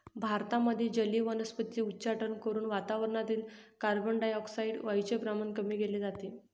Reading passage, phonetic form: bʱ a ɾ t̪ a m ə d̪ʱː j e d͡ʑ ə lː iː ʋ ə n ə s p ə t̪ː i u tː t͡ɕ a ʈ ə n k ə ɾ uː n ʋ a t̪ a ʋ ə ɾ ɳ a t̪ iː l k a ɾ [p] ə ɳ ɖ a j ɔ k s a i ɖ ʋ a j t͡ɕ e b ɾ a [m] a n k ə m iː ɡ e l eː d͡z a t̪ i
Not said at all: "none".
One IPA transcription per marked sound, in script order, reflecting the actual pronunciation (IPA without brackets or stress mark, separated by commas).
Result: b, m